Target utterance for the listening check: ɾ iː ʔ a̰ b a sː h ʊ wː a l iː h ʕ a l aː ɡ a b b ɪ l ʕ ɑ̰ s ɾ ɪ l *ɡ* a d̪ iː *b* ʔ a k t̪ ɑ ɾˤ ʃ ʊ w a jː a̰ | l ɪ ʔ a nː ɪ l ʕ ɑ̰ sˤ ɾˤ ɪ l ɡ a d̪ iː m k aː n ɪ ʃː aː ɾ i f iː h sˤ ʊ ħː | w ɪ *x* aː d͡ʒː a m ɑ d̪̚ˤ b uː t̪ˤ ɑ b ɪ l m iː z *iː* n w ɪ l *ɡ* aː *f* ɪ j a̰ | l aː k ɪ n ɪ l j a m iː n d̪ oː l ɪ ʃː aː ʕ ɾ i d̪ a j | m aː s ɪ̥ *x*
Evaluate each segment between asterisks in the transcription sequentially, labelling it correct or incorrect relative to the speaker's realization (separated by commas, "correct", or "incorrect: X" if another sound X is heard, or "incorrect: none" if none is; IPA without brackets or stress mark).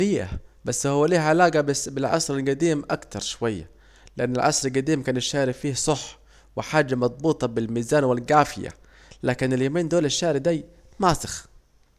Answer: correct, incorrect: m, incorrect: ħ, incorrect: aː, correct, correct, correct